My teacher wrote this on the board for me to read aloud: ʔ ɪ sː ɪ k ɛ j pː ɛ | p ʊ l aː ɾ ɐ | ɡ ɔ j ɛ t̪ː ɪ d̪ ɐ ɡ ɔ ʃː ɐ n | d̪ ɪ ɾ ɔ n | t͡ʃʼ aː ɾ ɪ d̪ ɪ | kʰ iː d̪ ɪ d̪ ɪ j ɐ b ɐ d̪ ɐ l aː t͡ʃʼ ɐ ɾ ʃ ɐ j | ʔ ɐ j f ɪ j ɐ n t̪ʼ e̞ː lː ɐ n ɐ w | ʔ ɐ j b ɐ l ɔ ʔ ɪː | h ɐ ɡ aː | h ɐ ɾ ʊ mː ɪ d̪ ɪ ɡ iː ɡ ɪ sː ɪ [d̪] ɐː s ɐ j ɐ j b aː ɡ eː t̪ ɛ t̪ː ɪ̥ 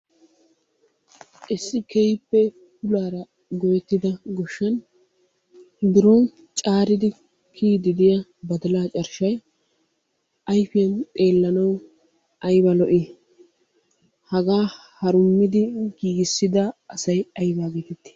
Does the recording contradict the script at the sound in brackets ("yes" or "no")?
no